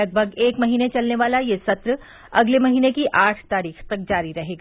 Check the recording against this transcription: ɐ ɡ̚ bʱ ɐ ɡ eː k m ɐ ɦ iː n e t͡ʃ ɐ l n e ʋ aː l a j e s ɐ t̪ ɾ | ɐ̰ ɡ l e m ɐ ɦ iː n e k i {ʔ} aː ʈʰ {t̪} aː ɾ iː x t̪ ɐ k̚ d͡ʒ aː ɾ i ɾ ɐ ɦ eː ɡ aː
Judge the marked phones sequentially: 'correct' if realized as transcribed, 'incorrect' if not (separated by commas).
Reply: correct, correct